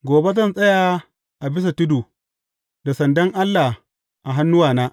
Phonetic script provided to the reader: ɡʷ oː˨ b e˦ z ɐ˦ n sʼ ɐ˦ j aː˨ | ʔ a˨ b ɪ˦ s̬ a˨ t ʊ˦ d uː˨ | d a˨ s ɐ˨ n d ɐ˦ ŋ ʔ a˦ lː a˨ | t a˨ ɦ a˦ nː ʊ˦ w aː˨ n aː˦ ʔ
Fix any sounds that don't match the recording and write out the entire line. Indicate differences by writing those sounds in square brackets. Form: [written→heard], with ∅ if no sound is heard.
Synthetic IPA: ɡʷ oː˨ b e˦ z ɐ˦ n sʼ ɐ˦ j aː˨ | ʔ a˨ b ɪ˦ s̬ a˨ t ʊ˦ d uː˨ | d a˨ s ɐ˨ n d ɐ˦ ŋ ʔ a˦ lː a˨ | [t→ʔ] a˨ ɦ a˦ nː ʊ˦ w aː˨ n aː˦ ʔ